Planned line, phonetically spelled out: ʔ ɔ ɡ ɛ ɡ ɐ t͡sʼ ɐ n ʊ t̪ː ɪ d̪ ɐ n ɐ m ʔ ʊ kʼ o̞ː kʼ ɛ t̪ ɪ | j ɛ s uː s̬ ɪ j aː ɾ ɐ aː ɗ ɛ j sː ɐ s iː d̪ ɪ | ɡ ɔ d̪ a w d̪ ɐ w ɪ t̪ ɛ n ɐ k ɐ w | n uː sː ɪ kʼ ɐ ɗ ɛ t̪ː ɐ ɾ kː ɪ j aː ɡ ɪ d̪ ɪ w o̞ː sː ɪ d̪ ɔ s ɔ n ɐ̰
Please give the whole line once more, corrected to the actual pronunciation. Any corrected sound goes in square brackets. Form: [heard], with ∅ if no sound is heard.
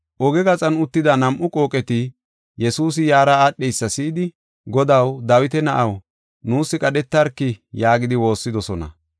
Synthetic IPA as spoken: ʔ ɔ ɡ ɛ ɡ ɐ t͡sʼ ɐ n ʊ t̪ː ɪ d̪ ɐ n ɐ m ʔ ʊ kʼ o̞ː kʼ ɛ t̪ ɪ | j ɛ s uː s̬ ɪ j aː ɾ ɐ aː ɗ ɛ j sː ɐ s iː d̪ ɪ | ɡ ɔ d̪ [ɐ] w d̪ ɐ w ɪ t̪ ɛ n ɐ [ʔ] ɐ w | n uː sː ɪ kʼ ɐ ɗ ɛ t̪ː ɐ ɾ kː ɪ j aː ɡ ɪ d̪ ɪ w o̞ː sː ɪ d̪ ɔ s ɔ n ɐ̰